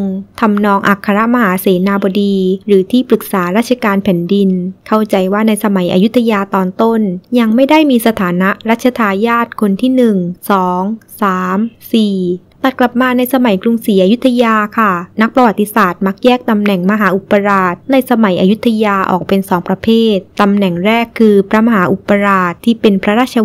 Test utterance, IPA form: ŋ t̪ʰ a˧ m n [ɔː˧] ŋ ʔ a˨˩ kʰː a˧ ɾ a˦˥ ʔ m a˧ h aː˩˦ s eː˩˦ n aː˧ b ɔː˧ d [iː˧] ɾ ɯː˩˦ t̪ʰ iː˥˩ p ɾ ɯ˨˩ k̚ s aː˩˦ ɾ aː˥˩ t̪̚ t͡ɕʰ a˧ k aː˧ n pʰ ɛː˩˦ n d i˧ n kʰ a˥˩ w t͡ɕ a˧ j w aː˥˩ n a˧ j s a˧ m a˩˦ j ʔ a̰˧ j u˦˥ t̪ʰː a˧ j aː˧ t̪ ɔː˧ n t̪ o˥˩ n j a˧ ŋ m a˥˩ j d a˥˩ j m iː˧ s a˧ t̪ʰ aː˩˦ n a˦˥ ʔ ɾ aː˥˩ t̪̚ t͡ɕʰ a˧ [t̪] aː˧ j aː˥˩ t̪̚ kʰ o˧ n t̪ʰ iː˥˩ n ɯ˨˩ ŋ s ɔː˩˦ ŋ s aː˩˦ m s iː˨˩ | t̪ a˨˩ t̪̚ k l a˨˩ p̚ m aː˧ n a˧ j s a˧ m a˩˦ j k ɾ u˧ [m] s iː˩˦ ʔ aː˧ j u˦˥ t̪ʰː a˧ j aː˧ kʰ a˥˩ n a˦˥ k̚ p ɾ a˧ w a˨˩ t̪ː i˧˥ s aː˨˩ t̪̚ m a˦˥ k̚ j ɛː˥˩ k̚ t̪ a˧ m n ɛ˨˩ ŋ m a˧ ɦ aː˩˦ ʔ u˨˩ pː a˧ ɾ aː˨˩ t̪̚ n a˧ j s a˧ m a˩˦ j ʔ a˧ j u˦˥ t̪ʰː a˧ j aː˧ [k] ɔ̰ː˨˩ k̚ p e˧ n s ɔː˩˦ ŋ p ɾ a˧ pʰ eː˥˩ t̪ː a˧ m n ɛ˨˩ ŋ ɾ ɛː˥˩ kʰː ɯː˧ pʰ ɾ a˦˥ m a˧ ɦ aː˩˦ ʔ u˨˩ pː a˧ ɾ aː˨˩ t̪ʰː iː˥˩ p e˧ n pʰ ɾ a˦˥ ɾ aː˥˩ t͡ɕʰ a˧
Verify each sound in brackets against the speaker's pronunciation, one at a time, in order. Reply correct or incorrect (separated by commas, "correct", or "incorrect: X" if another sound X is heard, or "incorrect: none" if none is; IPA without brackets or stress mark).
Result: correct, correct, incorrect: t̪ʰ, incorrect: ŋ, incorrect: ʔ